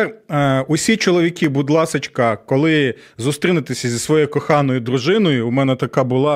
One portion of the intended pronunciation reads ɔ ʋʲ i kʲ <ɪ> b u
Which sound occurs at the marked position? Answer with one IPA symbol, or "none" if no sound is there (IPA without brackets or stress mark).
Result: i